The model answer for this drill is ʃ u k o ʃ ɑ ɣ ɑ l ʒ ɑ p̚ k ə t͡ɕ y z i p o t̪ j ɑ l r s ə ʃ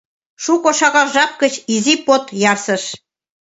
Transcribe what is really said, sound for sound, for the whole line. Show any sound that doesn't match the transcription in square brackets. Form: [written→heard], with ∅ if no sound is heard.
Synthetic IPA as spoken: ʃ u k o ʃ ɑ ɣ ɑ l ʒ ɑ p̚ k ə t͡ɕ [y→i] z i p o t̪ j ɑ [l→∅] r s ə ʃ